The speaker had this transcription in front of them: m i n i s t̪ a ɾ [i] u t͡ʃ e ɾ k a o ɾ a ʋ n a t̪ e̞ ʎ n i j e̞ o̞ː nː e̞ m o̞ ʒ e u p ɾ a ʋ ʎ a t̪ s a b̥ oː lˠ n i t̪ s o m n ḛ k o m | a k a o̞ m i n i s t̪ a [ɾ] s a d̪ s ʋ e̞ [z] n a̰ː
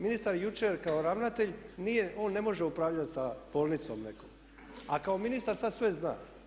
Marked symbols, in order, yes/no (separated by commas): no, yes, yes